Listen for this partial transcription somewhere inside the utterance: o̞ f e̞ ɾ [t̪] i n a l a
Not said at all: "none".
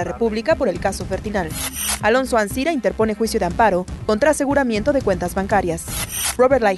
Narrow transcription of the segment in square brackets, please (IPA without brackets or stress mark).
t̪